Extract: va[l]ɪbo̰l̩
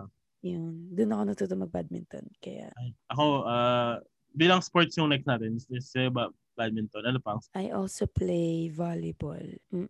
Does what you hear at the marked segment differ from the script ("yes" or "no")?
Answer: no